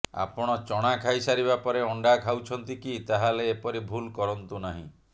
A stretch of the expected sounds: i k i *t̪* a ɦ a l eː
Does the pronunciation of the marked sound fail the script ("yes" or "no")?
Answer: no